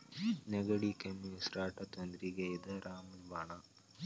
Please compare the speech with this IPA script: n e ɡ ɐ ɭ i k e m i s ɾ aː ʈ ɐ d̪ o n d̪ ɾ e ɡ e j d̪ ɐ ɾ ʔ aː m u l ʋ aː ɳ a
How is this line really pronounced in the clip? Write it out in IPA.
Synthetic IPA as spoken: n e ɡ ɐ ɽ i k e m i s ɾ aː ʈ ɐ t̪ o n d̪ ɾ i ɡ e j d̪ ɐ ɾ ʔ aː m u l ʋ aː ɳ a